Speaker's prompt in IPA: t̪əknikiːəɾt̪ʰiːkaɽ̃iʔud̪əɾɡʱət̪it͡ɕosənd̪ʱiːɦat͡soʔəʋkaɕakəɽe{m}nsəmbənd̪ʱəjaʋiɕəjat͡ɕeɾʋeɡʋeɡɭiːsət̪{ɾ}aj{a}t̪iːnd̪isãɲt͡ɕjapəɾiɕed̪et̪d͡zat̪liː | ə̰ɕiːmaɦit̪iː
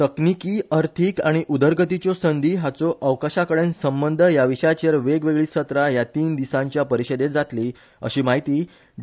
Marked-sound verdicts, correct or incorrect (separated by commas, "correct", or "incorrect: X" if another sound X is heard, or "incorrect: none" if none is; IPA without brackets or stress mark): incorrect: none, correct, correct